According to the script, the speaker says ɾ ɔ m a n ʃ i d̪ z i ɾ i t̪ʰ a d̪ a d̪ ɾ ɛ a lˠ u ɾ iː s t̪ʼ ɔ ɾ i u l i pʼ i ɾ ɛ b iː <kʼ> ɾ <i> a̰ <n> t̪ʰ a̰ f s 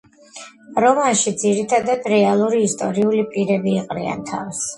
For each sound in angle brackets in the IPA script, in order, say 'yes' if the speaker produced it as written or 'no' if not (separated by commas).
no, yes, yes